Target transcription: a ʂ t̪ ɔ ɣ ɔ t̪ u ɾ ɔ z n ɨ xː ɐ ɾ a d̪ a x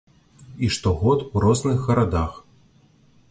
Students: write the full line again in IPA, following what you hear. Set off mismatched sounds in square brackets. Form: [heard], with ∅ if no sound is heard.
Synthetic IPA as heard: [i] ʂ t̪ ɔ ɣ ɔ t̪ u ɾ ɔ z n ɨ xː ɐ ɾ a d̪ a x